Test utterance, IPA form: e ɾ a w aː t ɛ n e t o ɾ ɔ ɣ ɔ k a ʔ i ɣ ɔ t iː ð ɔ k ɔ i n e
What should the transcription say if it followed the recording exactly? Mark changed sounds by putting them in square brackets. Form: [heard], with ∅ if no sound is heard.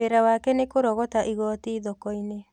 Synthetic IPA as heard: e ɾ a w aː [k] ɛ n e [k] o ɾ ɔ ɣ ɔ [t] a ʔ i ɣ ɔ t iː ð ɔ k ɔ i n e